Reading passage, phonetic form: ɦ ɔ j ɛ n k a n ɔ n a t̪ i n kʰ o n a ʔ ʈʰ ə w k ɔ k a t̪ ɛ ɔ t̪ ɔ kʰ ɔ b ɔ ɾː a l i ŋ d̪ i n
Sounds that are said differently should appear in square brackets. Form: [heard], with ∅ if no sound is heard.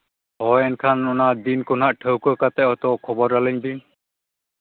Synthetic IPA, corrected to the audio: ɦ ɔ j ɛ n [kʰ] a n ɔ n a [d̪] i n [k] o n a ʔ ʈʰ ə w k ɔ k a t̪ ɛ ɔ t̪ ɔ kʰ ɔ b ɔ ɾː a l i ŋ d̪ i n